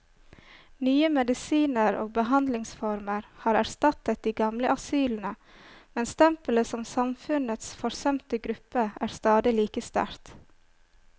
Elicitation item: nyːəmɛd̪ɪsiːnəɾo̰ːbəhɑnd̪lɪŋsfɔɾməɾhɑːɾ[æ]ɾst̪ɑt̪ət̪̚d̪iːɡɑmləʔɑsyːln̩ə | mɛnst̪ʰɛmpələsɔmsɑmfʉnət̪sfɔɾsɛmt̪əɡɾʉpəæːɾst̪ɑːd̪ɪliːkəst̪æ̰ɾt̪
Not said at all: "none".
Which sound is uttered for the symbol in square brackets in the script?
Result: æ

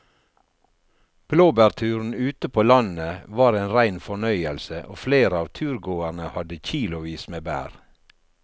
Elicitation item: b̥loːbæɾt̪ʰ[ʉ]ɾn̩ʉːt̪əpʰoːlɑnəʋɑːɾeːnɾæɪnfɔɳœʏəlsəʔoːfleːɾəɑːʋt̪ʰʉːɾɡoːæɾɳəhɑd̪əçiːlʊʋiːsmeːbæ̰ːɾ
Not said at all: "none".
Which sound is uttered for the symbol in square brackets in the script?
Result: ʉː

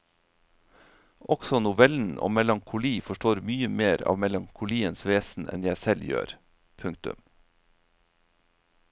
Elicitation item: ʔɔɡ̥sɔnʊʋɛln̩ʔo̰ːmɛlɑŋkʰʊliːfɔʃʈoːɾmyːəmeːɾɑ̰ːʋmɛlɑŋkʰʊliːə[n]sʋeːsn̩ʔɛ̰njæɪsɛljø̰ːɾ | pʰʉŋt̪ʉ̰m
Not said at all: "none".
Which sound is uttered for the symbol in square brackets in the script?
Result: n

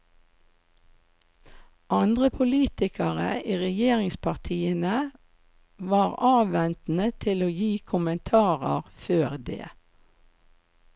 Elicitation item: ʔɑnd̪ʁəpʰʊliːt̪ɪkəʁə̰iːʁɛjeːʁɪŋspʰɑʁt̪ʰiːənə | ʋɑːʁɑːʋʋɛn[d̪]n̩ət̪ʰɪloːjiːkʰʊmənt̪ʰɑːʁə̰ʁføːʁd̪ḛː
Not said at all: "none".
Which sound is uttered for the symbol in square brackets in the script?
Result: t̪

